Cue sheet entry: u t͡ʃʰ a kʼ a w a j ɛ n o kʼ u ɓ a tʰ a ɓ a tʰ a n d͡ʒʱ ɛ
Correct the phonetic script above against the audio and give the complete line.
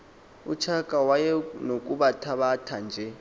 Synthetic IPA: u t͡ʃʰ a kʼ a w a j ɛ n o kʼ u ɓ a tʰ a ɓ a tʰ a n d͡ʒʱ ɛ